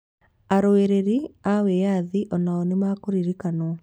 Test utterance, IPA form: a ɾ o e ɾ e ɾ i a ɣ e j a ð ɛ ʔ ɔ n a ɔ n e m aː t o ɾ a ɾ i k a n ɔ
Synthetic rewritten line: a ɾ o e ɾ e ɾ i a w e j a ð i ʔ ɔ n a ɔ n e m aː k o ɾ i ɾ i k a n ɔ